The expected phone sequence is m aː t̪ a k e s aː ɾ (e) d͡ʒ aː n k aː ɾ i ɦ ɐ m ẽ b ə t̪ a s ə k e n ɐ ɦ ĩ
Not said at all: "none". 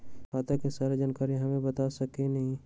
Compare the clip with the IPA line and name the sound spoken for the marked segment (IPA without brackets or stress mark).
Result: e